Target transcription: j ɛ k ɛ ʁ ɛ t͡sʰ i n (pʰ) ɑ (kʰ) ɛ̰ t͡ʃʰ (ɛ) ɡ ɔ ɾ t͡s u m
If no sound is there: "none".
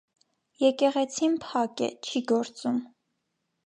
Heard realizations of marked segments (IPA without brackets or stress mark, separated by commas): pʰ, k, i